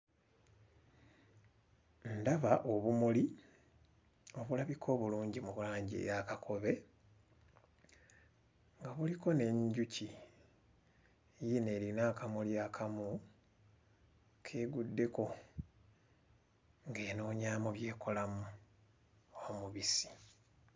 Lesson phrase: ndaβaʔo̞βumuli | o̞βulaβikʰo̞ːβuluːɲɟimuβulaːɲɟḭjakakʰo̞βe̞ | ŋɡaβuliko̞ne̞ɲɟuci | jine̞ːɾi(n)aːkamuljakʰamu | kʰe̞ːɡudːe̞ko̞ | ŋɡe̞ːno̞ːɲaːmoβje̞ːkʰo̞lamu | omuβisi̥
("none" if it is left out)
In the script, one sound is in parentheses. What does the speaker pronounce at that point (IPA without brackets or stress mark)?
n